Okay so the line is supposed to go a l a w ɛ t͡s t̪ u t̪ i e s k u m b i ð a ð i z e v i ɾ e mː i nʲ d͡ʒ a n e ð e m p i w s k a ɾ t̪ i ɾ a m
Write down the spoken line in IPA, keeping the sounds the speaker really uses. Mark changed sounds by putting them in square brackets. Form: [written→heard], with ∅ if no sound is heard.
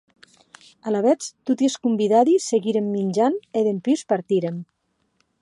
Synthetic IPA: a l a [w→β] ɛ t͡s t̪ u t̪ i e s k u m b i ð a ð i [z→s] e [v→ɣ] i ɾ e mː i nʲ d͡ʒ a n e ð e m p i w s [k→p] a ɾ t̪ i ɾ [a→e] m